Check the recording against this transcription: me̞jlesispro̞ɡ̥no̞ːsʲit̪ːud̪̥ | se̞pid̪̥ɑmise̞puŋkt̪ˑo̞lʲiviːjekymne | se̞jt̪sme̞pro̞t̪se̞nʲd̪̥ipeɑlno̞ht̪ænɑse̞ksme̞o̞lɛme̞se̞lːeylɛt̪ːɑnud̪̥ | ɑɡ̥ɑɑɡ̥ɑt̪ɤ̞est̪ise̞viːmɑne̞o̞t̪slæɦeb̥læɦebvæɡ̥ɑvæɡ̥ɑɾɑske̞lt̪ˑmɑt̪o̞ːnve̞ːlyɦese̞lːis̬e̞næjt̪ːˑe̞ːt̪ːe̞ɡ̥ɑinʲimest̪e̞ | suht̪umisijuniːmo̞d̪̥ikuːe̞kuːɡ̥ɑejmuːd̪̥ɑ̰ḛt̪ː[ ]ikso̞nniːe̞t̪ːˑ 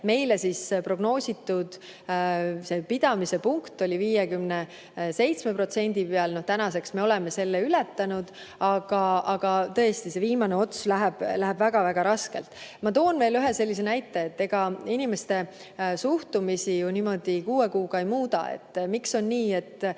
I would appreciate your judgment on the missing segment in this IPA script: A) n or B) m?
B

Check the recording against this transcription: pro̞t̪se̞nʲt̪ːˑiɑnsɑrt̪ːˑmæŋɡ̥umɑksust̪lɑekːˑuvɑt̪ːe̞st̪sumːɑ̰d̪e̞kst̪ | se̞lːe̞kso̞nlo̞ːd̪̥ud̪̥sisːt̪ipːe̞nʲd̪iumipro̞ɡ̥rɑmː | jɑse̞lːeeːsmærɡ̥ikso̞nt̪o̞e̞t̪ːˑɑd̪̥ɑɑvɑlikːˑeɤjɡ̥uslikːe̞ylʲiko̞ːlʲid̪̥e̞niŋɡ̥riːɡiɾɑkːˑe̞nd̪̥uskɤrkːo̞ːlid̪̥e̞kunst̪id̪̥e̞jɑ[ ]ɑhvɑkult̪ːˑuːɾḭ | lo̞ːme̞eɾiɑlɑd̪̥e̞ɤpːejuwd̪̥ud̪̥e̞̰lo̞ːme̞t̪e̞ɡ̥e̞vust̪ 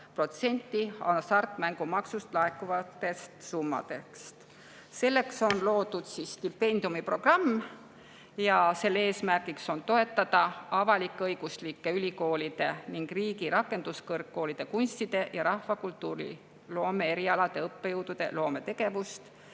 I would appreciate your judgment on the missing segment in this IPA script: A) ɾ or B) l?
A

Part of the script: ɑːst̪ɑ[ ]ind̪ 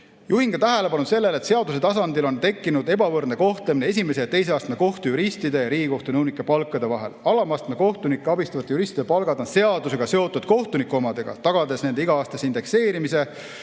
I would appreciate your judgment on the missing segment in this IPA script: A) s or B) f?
A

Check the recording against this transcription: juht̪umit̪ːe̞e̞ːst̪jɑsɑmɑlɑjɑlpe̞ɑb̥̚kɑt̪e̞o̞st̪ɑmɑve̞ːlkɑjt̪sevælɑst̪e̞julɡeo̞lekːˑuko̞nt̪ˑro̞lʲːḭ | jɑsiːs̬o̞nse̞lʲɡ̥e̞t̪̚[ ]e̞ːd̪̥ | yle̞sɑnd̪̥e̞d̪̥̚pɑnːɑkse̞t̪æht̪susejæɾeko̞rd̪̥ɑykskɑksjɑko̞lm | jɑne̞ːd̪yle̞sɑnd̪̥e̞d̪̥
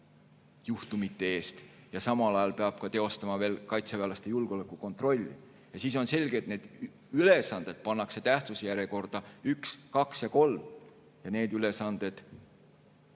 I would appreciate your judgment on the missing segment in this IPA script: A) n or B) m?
A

